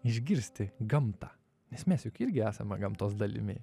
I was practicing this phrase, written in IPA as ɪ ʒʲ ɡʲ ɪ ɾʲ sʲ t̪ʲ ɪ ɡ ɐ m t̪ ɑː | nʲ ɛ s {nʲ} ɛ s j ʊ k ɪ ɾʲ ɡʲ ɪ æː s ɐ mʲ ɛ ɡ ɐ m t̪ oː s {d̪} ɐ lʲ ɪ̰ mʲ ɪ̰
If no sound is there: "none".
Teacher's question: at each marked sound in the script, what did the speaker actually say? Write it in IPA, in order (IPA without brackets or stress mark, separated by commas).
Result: mʲ, d̪